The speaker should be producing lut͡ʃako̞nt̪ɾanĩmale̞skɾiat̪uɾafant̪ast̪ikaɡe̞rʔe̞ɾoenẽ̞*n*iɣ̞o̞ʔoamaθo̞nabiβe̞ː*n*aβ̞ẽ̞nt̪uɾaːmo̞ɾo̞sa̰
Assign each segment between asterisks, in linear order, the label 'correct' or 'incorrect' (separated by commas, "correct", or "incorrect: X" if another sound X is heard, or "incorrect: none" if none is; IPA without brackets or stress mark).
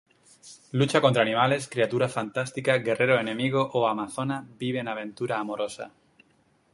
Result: incorrect: m, correct